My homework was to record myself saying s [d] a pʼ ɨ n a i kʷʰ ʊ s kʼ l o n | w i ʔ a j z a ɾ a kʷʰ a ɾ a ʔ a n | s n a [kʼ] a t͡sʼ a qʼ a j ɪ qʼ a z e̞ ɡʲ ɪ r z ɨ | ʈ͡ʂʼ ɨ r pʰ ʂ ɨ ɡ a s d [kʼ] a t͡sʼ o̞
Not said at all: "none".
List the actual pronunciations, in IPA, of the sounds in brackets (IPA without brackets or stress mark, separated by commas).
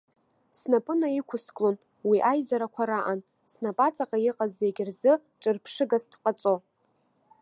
n, pʼ, qʼ